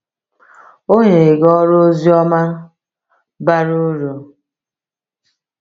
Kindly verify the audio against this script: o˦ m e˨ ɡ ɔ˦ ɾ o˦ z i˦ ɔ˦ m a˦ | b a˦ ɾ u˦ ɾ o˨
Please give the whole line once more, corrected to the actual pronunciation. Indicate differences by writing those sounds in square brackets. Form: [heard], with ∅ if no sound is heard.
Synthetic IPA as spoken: o˦ [ɲ] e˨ ɡ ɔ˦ ɾ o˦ z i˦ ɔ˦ m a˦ | b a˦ ɾ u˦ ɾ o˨